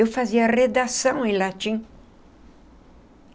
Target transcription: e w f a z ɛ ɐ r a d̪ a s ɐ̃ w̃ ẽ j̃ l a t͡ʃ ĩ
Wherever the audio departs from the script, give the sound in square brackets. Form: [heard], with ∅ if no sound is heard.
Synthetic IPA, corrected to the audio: e w f a z [i] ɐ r [e] d̪ a s ɐ̃ w̃ ẽ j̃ l a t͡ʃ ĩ